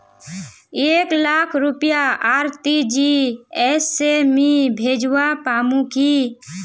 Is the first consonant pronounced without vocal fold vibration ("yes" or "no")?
yes